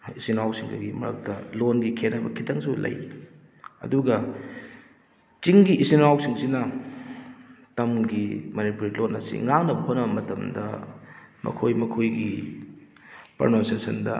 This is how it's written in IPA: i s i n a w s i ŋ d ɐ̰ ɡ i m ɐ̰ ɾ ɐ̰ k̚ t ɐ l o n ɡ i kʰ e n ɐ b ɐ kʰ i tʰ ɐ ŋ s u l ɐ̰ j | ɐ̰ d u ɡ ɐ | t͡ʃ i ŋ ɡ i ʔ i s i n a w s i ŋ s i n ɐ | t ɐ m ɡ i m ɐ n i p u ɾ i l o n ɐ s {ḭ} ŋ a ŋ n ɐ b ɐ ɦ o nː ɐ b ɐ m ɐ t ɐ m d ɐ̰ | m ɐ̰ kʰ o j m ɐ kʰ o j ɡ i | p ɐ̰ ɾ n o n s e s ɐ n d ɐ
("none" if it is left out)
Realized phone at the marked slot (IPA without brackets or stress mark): ḭ